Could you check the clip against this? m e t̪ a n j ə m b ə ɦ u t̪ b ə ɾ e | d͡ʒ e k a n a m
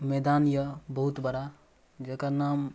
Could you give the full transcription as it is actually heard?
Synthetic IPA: m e d̪ a n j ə b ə ɦ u t̪ b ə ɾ a | d͡ʒ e k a n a m